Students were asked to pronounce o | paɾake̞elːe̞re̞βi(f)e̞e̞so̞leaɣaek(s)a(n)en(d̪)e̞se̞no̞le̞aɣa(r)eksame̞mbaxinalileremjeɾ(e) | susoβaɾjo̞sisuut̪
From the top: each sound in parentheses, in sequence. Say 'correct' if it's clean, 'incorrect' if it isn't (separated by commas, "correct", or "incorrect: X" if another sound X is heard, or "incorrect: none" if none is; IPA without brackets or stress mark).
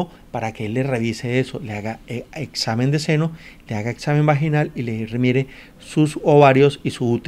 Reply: incorrect: s, correct, incorrect: m, correct, incorrect: none, correct